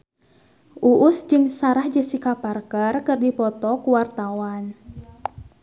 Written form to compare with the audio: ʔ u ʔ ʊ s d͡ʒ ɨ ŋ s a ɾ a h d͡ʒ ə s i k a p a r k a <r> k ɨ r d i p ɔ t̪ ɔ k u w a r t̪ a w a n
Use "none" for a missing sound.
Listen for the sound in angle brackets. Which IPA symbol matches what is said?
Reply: r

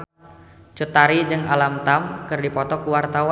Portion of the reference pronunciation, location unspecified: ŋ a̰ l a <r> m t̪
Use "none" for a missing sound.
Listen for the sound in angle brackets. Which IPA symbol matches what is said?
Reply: none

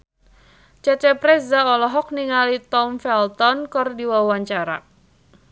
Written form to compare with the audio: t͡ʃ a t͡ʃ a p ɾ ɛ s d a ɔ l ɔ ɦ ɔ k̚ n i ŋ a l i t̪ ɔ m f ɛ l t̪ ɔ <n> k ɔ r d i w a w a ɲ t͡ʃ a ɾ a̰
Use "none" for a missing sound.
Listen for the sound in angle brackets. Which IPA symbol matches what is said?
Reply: n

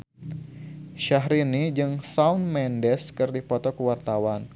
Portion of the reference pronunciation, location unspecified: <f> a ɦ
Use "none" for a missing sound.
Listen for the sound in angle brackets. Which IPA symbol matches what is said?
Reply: ʃ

